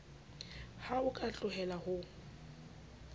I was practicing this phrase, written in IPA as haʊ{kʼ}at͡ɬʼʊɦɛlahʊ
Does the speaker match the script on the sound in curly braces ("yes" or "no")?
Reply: yes